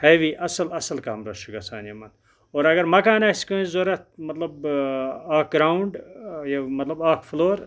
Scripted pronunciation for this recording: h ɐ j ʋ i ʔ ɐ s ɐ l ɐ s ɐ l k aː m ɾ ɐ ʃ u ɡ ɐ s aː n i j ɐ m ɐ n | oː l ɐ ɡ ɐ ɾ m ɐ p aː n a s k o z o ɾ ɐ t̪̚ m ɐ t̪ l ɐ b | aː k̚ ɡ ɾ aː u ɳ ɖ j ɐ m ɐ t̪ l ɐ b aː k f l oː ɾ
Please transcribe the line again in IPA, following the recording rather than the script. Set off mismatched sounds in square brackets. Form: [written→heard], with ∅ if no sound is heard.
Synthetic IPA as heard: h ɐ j ʋ i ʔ ɐ s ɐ l ɐ s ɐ l k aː m ɾ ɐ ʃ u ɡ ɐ s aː n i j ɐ m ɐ n | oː [l→ɾ] ɐ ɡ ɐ ɾ m ɐ [p→k] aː n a s k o z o ɾ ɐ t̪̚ m ɐ t̪ l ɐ b | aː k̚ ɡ ɾ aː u ɳ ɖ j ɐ m ɐ t̪ l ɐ b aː k f l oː ɾ